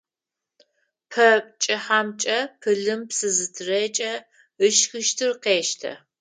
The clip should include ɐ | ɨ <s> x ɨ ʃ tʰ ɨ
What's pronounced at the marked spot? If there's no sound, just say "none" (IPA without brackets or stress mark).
ʃ